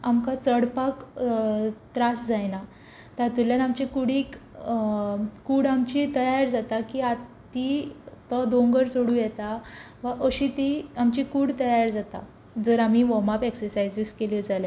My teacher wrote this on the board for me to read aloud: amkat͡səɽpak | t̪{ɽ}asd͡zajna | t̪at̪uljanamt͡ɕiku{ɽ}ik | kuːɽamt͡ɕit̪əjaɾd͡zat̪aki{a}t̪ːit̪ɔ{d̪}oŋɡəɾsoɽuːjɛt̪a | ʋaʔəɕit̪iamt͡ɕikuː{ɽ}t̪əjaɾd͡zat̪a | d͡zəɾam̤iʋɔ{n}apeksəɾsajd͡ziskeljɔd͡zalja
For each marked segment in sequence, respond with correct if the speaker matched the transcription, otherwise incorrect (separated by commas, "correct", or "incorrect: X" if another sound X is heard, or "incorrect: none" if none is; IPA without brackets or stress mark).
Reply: incorrect: ɾ, correct, correct, correct, correct, incorrect: m